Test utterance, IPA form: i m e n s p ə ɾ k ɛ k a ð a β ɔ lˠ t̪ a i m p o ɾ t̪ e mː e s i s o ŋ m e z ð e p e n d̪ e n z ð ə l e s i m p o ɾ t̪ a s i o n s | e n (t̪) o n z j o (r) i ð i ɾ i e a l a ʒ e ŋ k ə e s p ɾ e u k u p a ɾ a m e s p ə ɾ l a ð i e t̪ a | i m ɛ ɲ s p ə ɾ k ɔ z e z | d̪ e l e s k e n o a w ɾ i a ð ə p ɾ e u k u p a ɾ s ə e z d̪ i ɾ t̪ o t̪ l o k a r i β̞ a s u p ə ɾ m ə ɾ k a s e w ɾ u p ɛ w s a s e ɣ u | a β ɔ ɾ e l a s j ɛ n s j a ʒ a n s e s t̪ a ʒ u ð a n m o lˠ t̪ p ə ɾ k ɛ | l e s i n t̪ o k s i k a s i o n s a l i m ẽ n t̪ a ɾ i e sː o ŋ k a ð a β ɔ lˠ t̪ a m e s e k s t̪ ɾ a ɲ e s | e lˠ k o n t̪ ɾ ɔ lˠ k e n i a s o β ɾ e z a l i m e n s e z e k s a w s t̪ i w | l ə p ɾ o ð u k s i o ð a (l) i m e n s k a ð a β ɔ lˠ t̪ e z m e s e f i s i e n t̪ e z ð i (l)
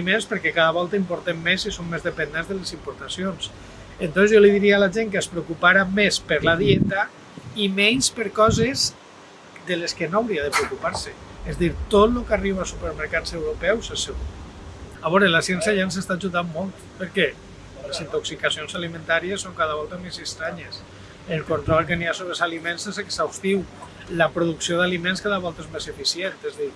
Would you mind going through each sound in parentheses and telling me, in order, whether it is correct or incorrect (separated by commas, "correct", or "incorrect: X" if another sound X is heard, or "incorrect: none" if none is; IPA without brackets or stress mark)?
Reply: correct, incorrect: l, correct, incorrect: ɾ